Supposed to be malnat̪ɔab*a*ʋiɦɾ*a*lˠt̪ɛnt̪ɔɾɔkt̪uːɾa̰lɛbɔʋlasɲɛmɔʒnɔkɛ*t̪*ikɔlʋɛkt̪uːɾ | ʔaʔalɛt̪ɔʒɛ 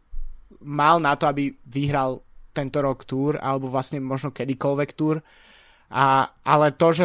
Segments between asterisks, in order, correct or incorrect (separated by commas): incorrect, correct, incorrect